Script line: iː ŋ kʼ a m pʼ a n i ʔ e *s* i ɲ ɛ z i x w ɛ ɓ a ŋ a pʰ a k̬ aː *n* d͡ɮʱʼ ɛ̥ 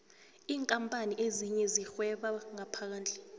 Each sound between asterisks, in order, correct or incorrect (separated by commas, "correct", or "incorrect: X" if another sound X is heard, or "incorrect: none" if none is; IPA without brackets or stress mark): incorrect: z, correct